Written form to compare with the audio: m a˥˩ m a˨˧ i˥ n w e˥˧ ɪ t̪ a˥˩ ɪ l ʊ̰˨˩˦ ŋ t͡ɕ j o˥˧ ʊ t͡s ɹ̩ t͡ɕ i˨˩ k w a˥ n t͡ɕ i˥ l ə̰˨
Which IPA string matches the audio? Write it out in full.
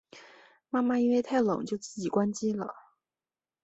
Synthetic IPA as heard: m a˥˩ m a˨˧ i˥ n w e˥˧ ɪ t̪ʰ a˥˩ ɪ l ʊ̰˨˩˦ ŋ t͡ɕ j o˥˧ ʊ t͡s ɹ̩ t͡ɕ i˨˩ k w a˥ n t͡ɕ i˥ l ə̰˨